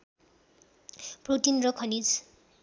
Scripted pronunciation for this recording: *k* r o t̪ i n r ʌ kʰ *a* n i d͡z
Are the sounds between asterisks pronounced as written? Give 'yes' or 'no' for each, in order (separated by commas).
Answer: no, no